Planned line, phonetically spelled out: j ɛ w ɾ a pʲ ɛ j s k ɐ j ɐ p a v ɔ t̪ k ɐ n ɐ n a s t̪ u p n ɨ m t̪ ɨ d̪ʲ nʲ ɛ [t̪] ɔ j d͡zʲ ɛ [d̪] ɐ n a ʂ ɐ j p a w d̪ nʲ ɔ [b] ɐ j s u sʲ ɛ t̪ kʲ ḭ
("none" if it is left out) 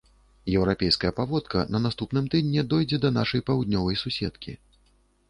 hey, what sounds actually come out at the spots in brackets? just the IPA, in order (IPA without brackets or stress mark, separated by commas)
d̪, d̪, v